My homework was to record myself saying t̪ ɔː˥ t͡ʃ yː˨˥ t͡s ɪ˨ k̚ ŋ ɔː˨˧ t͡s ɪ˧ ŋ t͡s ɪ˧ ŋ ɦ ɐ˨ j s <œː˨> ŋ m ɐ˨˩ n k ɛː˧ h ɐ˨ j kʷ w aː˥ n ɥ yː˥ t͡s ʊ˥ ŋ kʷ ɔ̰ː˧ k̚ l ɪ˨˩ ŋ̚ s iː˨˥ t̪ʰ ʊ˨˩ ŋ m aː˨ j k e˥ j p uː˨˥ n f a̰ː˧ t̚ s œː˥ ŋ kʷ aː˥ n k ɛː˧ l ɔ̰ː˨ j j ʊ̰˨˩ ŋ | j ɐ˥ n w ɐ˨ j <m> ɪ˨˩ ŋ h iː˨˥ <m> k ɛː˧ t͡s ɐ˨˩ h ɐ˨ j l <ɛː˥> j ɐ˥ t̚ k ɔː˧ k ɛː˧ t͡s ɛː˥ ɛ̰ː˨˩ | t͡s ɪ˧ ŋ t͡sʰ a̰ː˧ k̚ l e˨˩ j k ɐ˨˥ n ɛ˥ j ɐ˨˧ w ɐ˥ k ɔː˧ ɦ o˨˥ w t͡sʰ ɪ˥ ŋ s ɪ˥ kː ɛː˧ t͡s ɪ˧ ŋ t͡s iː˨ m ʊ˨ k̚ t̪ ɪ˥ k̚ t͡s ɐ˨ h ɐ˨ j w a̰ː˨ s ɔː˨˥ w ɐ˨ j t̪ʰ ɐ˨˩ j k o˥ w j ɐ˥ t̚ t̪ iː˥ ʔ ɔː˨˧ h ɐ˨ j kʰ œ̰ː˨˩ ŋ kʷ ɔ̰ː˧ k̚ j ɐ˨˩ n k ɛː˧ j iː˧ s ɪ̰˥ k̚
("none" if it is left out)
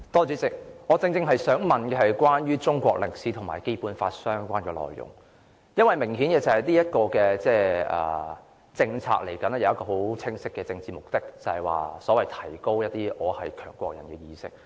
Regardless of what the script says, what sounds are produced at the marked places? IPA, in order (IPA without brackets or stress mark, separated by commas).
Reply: œː˨˥, m, n, iː˥